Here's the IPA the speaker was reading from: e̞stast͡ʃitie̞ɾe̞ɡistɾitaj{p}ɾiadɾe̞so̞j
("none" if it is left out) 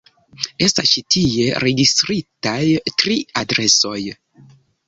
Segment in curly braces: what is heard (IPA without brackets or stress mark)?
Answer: t